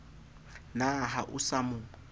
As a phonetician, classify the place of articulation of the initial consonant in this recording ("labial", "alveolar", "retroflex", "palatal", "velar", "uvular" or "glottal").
alveolar